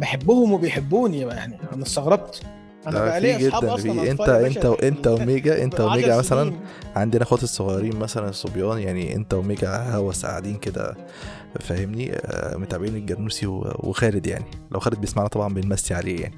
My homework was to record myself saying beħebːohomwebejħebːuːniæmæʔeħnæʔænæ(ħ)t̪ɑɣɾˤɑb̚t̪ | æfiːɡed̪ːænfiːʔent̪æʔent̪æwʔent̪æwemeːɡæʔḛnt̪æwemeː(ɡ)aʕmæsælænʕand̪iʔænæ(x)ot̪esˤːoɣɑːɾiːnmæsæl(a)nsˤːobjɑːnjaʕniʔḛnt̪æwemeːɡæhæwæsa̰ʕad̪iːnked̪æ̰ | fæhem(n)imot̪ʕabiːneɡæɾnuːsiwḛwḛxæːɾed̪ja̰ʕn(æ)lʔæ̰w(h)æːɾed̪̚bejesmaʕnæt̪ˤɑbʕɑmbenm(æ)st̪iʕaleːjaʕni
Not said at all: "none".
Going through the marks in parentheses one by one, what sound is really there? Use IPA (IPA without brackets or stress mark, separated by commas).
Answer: s, ɡ, x, æ, n, i, x, æ